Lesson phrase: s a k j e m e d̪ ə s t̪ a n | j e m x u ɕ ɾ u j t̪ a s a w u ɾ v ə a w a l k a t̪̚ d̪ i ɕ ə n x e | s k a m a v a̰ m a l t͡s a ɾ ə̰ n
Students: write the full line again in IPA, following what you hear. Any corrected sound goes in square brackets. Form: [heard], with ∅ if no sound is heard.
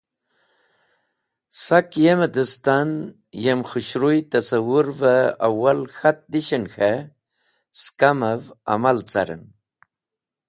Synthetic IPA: s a k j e m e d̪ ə s t̪ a n | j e m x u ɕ ɾ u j t̪ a s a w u ɾ v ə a w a l [x] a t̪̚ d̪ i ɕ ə n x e | s k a m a v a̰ m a l t͡s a ɾ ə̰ n